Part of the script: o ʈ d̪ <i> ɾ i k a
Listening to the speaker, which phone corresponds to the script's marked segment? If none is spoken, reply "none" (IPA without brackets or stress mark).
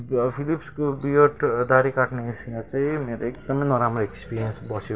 a